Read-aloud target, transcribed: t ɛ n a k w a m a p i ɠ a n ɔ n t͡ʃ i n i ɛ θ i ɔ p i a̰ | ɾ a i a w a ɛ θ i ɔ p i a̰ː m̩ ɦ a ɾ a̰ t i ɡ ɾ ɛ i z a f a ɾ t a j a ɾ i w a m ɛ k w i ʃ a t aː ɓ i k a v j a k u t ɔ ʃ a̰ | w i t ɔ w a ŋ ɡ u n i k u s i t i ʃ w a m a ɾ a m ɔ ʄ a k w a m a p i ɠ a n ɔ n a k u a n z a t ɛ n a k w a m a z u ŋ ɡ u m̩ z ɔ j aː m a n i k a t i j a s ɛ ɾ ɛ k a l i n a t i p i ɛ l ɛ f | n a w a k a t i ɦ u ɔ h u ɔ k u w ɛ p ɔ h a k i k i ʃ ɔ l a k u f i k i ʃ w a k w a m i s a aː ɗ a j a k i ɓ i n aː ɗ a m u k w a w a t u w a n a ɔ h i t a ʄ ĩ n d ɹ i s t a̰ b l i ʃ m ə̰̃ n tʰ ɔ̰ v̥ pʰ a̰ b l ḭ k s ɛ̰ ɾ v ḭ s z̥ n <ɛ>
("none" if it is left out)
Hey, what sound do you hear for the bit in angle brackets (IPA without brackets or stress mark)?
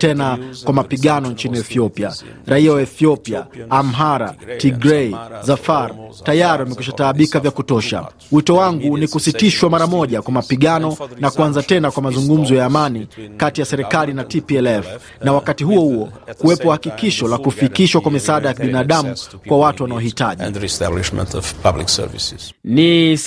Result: i